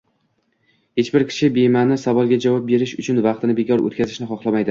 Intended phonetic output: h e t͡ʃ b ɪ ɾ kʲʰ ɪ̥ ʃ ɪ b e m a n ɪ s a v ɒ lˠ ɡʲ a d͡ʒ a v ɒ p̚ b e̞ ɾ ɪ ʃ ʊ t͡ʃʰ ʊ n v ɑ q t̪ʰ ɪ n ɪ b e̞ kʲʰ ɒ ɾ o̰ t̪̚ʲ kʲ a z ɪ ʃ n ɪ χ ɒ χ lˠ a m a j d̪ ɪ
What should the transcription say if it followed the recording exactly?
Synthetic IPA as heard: h e t͡ʃ b ɪ ɾ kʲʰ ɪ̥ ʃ ɪ b e m a n ɪ s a v ɒ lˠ ɡʲ a d͡ʒ a v ɒ p̚ b e̞ ɾ ɪ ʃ ʊ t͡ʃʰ ʊ n v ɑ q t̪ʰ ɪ n ɪ b e̞ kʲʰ ɒ ɾ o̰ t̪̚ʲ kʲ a z ɪ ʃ n ɪ χ ɒ χ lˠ a m a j d̪ ɪ